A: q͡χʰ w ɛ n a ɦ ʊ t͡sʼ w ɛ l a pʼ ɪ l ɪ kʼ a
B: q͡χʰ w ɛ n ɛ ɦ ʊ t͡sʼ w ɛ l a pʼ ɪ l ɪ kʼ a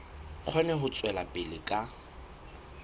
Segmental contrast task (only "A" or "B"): B